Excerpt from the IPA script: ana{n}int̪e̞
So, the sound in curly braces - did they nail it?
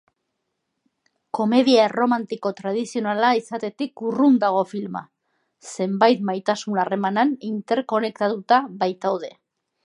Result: yes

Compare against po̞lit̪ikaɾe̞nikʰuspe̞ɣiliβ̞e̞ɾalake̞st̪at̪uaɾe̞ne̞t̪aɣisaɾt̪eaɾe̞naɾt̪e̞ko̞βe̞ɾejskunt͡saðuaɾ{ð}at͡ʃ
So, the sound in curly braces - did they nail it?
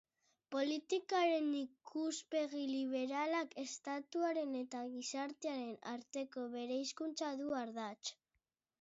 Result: yes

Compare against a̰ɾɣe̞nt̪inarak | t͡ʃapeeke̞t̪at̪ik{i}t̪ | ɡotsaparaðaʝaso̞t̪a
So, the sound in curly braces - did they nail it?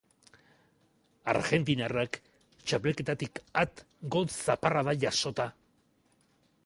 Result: no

